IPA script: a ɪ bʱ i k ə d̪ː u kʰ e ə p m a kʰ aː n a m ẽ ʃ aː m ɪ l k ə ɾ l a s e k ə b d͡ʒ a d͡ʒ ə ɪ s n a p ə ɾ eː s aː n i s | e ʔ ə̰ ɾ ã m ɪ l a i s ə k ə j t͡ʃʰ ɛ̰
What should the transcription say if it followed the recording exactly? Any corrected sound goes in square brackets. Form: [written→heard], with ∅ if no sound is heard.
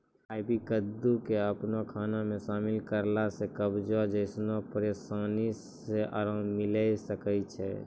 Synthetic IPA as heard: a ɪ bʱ i k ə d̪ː u [kʰ→k] e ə p [m→n] a kʰ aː n a m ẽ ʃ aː m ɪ l k ə ɾ l a s e k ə b d͡ʒ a d͡ʒ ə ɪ s n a p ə ɾ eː s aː n i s | e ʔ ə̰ ɾ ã m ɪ l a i s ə k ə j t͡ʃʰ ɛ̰